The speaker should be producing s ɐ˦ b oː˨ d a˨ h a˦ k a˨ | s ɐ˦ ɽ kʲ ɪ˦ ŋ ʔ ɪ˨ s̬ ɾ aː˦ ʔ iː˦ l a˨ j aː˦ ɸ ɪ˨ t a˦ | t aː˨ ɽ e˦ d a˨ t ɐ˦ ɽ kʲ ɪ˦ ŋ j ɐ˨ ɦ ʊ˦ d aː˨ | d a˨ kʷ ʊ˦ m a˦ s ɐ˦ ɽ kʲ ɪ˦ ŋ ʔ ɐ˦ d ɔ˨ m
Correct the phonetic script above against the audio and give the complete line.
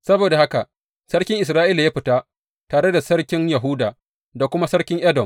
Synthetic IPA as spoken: s ɐ˦ b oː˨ d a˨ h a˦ k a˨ | s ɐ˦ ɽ kʲ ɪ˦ ŋ ʔ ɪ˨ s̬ ɾ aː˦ ʔ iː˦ l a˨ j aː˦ ɸ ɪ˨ t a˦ | t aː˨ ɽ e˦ d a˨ s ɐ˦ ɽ kʲ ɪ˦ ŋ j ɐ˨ ɦ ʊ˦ d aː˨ | d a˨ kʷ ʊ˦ m a˦ s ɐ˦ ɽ kʲ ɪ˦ ŋ ʔ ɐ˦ d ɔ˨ m